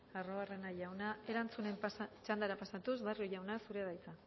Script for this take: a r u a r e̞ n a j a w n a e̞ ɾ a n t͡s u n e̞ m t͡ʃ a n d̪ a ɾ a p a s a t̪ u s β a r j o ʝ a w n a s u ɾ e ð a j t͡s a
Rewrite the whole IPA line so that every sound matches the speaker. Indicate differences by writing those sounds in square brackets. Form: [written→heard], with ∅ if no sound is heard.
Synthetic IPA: a r [u→o] a r e̞ n a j a w n a e̞ ɾ a n t͡s u n e̞ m t͡ʃ a n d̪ a ɾ a p a s a t̪ u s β a r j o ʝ a w n a s u ɾ e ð a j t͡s a